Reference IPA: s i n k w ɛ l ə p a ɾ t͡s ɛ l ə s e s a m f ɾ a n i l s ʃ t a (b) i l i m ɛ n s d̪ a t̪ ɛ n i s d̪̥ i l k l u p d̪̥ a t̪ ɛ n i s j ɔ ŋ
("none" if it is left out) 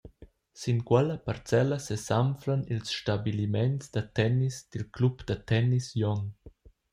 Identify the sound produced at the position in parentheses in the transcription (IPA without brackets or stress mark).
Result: b